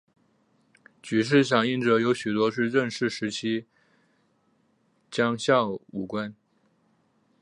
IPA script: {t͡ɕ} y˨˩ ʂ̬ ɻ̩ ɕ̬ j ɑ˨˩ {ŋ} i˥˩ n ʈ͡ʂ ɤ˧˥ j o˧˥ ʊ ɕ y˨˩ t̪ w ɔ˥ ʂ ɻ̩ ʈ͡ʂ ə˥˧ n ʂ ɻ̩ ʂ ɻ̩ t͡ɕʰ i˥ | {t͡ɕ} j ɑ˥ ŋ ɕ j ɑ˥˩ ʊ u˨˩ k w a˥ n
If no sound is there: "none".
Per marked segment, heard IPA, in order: t͡ɕ, ŋ, t͡ɕ

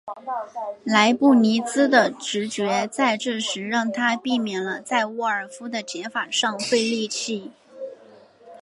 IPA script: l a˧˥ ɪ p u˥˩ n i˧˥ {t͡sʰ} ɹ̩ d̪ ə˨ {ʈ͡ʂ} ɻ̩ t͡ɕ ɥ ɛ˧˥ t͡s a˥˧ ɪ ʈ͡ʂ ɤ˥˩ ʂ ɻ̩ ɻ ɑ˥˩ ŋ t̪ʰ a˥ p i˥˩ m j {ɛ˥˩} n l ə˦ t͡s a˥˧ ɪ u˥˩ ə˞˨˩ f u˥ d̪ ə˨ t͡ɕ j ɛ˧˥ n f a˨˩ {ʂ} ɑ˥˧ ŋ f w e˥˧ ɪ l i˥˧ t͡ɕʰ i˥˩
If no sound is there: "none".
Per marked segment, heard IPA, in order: t͡s, ʈ͡ʂ, ɛ˨˩, ʂ

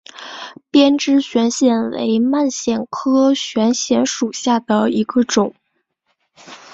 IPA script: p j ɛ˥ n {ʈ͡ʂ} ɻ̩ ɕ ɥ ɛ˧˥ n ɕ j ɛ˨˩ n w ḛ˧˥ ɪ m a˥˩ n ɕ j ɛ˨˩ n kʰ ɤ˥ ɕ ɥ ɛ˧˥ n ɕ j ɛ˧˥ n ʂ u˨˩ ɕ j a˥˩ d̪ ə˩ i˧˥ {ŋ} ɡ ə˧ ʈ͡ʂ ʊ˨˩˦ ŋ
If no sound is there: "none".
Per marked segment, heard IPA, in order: ʈ͡ʂ, none

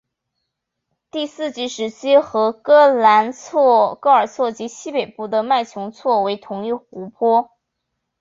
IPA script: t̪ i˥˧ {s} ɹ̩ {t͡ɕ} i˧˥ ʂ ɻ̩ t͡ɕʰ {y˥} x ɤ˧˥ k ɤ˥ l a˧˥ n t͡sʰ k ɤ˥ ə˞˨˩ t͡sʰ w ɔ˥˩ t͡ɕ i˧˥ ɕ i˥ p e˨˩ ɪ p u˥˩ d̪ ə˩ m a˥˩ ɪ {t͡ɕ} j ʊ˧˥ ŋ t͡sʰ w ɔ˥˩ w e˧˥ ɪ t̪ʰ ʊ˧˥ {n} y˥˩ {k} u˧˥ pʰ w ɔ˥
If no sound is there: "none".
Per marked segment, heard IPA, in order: s, t͡ɕ, i˥, t͡ɕʰ, ŋ, x

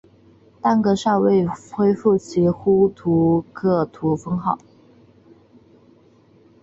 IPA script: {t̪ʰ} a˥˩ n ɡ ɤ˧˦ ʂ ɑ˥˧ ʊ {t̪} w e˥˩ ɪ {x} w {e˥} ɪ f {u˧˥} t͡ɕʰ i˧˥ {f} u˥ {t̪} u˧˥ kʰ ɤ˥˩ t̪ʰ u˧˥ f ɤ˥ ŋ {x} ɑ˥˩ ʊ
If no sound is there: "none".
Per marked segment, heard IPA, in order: t̪, none, x, e˥, u˥˩, x, t̪ʰ, x

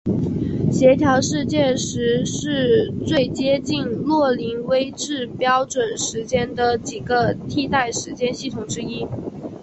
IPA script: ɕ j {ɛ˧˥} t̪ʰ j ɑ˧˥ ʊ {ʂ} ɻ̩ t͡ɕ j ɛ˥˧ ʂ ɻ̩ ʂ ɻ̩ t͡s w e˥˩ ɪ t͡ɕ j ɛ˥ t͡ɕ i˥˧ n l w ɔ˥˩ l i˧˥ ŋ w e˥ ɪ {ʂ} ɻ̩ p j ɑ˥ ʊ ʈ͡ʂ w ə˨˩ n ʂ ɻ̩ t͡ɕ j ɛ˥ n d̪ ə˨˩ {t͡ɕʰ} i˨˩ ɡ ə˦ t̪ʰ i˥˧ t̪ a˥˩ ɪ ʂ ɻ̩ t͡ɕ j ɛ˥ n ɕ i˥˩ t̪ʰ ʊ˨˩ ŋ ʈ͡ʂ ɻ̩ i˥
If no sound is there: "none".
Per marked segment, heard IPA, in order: ɛ˧˥, ʂ, ʈ͡ʂ, t͡ɕ

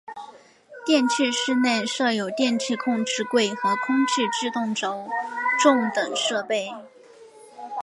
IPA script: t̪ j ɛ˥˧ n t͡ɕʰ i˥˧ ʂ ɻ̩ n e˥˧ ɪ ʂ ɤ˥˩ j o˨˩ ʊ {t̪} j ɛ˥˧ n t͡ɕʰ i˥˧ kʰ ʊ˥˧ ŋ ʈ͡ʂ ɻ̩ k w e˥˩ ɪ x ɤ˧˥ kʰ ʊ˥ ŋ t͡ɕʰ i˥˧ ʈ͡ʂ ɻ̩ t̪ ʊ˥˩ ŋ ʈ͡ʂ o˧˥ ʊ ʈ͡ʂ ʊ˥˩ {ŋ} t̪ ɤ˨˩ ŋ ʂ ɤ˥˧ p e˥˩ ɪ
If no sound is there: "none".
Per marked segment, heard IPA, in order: t̪, ŋ

